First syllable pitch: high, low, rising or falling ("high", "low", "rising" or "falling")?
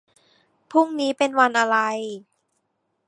falling